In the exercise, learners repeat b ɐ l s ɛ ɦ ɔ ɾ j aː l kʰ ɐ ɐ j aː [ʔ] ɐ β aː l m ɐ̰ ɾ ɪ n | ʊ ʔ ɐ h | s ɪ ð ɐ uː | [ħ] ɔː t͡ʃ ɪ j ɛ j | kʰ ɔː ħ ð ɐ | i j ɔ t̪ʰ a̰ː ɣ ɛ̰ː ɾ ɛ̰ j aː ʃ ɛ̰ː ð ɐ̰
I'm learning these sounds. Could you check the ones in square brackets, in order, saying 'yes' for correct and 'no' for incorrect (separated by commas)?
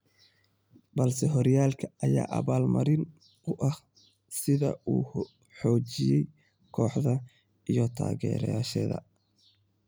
yes, yes